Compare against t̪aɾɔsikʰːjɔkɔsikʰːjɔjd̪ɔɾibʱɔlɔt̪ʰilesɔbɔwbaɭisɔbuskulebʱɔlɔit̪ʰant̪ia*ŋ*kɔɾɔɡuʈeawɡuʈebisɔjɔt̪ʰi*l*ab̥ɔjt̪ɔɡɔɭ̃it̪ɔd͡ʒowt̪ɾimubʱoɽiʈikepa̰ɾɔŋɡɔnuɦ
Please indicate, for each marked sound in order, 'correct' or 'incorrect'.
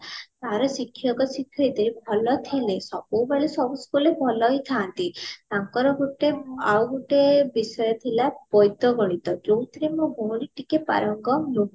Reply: correct, correct

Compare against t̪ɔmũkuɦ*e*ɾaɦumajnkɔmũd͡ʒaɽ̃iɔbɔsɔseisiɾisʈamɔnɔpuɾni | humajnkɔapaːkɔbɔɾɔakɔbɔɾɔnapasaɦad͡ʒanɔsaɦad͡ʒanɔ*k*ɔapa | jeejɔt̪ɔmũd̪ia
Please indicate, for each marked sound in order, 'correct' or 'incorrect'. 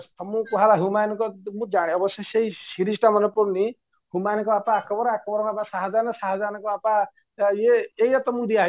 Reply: incorrect, correct

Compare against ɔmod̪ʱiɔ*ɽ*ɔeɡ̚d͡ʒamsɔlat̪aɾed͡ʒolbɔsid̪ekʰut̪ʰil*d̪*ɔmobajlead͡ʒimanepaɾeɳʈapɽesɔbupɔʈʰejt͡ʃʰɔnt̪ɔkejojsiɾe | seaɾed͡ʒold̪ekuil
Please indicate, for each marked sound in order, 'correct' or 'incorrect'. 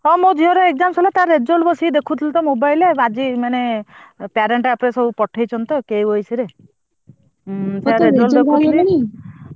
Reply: incorrect, incorrect

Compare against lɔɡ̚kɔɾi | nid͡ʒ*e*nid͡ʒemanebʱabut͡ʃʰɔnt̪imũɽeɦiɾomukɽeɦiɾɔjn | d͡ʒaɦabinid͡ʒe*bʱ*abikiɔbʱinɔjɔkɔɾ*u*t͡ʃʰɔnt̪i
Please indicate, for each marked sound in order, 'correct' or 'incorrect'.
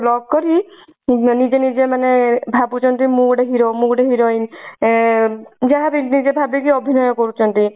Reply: correct, correct, correct

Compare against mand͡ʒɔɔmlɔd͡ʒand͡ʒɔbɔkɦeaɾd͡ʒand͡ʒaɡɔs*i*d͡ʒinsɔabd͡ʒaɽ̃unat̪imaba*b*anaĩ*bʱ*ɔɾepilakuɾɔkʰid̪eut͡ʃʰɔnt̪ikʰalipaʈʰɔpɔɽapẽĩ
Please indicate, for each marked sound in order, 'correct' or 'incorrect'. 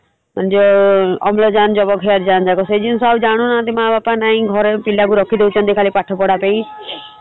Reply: incorrect, incorrect, incorrect

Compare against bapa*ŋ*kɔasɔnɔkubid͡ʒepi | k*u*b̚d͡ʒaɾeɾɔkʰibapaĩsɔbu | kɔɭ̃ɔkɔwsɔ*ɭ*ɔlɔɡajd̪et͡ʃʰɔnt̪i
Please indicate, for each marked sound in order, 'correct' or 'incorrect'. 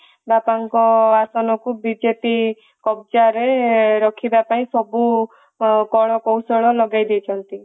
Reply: correct, incorrect, correct

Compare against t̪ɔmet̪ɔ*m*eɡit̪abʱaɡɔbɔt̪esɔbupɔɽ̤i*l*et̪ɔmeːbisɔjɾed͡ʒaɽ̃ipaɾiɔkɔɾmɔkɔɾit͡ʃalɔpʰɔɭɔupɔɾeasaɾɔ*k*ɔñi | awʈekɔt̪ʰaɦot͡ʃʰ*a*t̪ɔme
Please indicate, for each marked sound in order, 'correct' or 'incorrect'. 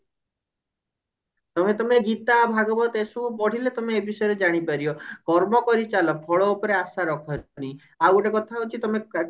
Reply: correct, correct, incorrect, incorrect

